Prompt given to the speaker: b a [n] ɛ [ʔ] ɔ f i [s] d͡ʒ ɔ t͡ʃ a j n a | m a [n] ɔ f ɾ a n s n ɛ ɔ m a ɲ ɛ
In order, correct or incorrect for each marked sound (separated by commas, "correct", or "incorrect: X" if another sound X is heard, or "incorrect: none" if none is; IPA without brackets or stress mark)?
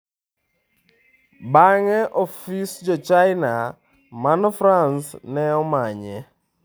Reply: incorrect: ŋ, correct, correct, correct